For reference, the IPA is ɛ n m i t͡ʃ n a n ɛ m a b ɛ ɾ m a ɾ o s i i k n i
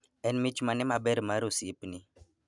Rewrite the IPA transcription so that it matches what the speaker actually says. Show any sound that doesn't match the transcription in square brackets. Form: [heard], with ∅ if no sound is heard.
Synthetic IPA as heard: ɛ n m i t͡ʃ [m] a n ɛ m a b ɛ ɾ m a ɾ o s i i [p] n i